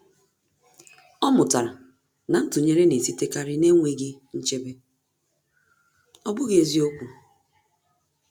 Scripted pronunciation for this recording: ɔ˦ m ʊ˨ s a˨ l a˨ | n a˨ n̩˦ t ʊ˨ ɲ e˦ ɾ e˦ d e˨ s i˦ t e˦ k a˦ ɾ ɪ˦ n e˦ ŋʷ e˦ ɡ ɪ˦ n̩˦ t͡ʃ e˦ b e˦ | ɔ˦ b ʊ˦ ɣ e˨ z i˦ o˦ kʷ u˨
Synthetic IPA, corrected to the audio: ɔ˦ m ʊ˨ t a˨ ɾ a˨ | n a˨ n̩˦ t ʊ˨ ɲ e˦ ɾ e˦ n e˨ s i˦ t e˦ k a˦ ɾ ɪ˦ n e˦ ŋʷ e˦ ɡ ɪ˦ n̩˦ t͡ʃ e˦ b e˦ | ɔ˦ b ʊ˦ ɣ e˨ z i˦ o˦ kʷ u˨